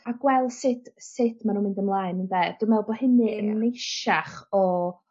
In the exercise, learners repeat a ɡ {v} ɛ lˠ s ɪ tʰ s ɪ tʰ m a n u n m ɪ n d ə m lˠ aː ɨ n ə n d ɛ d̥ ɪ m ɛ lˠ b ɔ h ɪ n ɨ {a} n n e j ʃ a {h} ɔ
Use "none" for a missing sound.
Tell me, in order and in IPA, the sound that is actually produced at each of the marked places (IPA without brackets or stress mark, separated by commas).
w, ə, χ